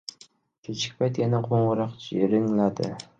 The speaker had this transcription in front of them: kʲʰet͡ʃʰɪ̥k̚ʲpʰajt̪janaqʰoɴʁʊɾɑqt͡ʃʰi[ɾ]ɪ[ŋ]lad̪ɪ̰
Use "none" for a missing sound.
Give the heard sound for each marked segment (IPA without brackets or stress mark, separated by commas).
ɾ, ŋ